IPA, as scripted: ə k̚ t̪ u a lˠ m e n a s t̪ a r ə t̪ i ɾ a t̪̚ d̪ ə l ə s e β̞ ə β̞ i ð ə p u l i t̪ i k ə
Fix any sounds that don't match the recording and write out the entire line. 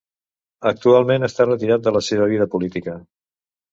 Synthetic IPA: ə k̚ t̪ u a lˠ m e n ə s t̪ a r ə t̪ i ɾ a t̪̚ d̪ ə l ə s e β̞ ə β̞ i ð ə p u l i t̪ i k ə